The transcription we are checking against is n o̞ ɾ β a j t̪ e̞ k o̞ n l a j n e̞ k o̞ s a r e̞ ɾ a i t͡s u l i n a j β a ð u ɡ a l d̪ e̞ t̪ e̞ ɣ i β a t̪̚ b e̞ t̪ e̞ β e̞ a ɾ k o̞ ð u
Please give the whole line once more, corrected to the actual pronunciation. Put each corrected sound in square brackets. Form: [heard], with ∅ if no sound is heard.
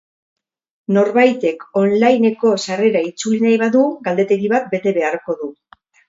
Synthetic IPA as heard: n o̞ ɾ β a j t̪ e̞ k o̞ n l a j n e̞ k o̞ s a r e̞ ɾ a i t͡s u l i n a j β a ð u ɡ a l d̪ e̞ t̪ e̞ ɣ i β a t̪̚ b e̞ t̪ e̞ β e̞ a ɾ k o̞ ð u